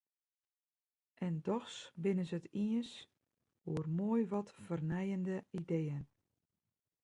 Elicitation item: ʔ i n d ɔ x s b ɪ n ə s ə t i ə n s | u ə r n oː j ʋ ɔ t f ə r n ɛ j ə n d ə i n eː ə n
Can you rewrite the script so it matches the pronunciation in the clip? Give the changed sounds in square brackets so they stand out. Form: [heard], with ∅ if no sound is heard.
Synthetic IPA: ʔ [ɛ] n d ɔ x s b ɪ n ə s ə t i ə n s | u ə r [m] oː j ʋ ɔ t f ə r n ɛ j ə n d ə i [d] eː ə n